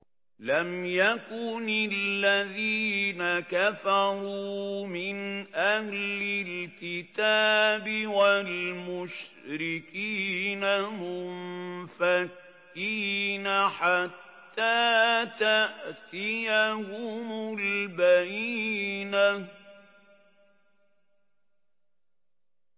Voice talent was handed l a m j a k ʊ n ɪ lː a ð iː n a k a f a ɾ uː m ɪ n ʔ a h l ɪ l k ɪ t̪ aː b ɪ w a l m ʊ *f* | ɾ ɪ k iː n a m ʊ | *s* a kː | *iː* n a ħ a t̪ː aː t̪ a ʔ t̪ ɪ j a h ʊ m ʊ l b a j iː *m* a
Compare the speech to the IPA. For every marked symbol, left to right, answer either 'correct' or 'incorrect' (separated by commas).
incorrect, incorrect, correct, incorrect